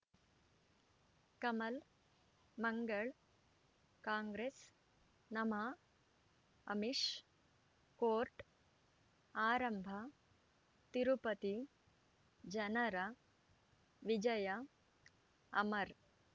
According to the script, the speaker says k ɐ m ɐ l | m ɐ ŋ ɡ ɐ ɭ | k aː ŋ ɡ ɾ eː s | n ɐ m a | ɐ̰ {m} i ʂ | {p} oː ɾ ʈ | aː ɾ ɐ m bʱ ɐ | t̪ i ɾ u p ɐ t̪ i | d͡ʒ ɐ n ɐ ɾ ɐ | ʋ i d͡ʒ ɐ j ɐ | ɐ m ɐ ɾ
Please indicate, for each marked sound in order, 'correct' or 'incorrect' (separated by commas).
correct, incorrect